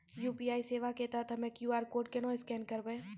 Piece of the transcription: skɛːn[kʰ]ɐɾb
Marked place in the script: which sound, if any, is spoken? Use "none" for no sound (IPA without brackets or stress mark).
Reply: k